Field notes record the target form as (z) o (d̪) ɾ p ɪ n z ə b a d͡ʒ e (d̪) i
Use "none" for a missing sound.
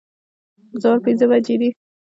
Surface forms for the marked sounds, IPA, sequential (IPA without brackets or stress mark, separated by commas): z, none, d̪